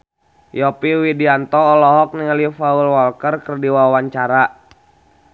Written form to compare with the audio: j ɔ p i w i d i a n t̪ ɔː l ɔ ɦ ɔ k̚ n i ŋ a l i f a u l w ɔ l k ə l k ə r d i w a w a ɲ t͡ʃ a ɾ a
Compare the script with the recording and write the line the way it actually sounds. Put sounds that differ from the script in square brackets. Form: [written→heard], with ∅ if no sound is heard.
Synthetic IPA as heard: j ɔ p i w i d i a n t̪ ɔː l ɔ ɦ ɔ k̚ n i ŋ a l i f a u l w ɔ l k ə [l→r] k ə r d i w a w a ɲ t͡ʃ a ɾ a